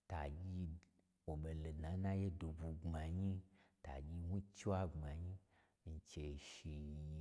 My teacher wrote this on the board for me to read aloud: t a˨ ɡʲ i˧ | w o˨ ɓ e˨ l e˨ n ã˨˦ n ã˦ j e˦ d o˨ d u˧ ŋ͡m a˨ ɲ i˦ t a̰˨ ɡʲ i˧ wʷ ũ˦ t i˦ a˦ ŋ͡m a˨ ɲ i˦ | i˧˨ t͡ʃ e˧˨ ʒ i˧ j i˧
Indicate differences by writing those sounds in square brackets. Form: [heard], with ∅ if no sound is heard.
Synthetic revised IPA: t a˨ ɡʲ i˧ | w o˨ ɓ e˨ l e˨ n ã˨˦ n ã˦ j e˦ d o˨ [b] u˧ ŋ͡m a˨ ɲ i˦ t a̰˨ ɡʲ i˧ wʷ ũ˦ [t͡ʃ] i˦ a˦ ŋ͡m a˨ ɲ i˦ | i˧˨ t͡ʃ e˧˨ [ʃ] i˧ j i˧

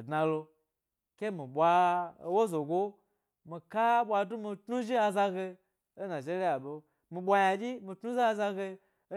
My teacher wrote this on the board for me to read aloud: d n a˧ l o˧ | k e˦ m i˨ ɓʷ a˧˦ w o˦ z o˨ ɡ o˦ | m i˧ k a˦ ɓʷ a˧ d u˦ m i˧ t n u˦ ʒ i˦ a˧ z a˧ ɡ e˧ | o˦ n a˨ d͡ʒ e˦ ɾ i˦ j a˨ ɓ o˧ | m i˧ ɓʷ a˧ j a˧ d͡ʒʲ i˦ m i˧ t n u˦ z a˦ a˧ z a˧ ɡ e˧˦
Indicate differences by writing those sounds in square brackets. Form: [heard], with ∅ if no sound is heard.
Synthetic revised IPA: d n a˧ l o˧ | k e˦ m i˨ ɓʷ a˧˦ w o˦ z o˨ ɡ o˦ | m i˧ k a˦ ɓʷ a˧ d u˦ m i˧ t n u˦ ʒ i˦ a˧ z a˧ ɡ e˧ | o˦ n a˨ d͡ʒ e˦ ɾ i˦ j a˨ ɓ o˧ | m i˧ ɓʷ a˧ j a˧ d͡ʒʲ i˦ m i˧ t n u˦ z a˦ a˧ z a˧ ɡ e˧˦

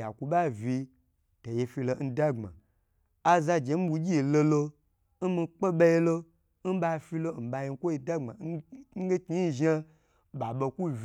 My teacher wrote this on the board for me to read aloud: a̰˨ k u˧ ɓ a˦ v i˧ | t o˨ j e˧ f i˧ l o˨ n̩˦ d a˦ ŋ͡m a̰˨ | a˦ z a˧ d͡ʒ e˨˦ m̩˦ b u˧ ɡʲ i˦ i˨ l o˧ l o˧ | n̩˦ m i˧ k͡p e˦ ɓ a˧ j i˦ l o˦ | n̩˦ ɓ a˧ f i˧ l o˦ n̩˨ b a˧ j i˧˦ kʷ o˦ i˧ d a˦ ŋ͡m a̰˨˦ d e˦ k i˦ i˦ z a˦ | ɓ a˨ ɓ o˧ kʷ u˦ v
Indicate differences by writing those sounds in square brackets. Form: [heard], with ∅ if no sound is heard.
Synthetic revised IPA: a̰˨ k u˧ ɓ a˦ v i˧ | t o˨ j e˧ f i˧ l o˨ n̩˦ d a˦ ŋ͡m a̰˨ | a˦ z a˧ d͡ʒ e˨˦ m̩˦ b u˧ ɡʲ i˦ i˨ l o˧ l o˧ | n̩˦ m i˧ k͡p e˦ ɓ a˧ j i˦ l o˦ | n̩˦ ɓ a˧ f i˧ l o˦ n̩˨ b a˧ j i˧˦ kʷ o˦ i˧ d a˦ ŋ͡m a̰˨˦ [ɡ] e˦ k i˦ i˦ [ʒ] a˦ | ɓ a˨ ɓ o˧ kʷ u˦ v

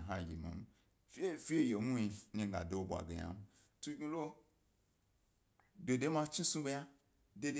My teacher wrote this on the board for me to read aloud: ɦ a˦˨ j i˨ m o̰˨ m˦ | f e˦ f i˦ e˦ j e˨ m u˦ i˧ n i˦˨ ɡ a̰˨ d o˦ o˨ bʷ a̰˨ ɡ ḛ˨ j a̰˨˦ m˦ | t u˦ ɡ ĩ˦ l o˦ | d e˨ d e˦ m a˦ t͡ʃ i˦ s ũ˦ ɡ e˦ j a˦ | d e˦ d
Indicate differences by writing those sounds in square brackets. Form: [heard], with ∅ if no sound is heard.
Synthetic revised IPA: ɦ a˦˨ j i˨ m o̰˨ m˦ | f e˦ f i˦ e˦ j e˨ m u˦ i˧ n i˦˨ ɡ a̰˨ d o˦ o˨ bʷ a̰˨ ɡ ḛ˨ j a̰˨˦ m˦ | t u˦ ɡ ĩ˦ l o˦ | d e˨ d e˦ m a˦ t͡ʃ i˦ s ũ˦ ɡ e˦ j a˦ | d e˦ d

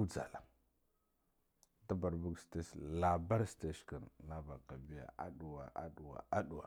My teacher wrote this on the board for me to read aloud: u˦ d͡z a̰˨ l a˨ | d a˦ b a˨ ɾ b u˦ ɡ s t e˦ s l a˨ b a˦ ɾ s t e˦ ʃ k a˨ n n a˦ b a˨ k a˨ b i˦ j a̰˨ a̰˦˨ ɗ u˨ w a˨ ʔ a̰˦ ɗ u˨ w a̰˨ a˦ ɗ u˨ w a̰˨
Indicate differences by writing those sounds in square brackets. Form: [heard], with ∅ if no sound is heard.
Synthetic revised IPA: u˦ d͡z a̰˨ l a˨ | d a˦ b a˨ ɾ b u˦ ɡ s t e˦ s l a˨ b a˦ ɾ s t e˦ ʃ k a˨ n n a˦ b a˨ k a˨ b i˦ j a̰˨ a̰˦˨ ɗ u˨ w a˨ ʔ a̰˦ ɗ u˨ w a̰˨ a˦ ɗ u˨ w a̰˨

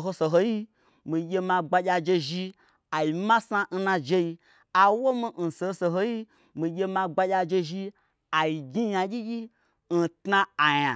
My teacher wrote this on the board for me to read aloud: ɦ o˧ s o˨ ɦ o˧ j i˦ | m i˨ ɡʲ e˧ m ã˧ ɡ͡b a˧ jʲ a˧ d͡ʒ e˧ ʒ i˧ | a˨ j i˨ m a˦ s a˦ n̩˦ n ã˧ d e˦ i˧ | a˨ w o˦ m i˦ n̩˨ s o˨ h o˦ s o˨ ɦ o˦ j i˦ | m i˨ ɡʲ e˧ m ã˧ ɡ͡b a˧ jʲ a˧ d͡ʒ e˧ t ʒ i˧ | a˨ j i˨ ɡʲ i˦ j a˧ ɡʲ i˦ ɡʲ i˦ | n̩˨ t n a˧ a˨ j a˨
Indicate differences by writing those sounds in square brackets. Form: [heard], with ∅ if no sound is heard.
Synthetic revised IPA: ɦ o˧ s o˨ ɦ o˧ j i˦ | m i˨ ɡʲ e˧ m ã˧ ɡ͡b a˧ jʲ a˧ d͡ʒ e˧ ʒ i˧ | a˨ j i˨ m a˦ s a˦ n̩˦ n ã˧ [d͡ʒ] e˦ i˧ | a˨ w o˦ m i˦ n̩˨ s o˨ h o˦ s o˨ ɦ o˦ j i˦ | m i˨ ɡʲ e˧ m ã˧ ɡ͡b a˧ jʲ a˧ d͡ʒ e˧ [∅] ʒ i˧ | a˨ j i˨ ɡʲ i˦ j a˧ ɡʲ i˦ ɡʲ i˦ | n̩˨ t n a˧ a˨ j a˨

